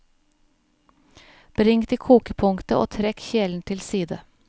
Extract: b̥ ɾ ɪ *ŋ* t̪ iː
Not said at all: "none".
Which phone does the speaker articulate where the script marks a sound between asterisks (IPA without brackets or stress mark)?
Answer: ŋ